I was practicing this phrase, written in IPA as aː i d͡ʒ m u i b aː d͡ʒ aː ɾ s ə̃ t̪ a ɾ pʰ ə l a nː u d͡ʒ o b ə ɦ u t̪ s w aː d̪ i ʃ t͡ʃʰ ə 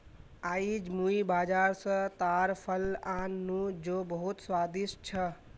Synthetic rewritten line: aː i d͡ʒ m u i b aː d͡ʒ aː ɾ s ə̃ t̪ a ɾ pʰ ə l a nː u d͡ʒ o b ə ɦ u t̪ s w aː d̪ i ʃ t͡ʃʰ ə